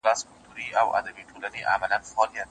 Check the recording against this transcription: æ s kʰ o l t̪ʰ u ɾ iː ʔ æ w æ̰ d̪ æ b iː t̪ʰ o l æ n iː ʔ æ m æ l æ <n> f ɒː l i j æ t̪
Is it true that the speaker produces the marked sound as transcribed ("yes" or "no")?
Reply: yes